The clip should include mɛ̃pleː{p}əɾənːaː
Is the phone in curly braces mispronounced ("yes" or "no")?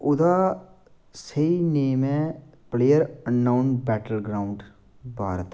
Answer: yes